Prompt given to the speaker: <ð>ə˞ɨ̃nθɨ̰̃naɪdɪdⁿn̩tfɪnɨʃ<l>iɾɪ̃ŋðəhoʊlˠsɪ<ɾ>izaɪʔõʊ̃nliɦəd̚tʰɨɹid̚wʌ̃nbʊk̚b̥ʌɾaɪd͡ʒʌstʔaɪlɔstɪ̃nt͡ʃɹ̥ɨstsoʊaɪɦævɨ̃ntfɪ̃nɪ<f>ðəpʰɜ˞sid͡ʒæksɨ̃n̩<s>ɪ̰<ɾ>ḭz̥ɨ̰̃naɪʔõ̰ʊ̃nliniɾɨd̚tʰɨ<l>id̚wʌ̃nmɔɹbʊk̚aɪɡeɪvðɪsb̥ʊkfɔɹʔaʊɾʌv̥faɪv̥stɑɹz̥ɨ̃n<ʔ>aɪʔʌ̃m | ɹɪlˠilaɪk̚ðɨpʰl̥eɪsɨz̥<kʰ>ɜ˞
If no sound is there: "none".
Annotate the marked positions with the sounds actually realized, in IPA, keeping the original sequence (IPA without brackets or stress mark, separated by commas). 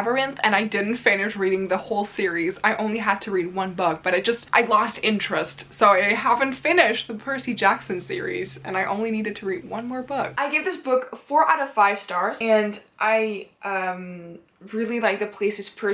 v, ɹ, ɹ, ʃ, s, ɹ, ɹ, ʔ, pʰ